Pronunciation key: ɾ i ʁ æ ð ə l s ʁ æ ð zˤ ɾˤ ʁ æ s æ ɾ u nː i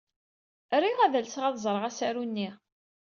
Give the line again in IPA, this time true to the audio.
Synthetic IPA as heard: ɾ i ʁ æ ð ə l s ʁ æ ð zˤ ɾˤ ʁ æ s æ ɾ u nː i